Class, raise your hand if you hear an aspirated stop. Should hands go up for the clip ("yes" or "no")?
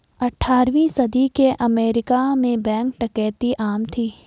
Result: yes